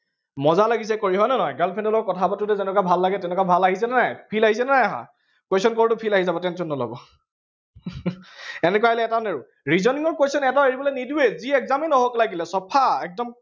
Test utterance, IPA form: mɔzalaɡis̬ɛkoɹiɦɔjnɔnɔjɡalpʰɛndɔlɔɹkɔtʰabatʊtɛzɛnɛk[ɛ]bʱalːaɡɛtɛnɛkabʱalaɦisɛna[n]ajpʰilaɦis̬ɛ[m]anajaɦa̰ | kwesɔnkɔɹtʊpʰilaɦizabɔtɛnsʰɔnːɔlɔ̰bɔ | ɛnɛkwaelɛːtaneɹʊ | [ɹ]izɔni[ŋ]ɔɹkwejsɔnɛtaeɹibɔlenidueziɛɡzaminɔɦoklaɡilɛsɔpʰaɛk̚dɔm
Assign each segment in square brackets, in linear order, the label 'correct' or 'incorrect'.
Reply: incorrect, correct, incorrect, correct, correct

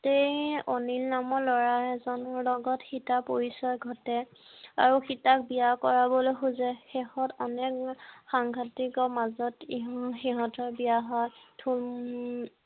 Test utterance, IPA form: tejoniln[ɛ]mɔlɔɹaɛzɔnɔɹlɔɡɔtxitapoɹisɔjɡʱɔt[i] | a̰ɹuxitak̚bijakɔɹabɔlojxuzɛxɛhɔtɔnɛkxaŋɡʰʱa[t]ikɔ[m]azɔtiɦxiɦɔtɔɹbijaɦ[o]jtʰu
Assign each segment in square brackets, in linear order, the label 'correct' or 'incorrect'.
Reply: incorrect, incorrect, correct, correct, incorrect

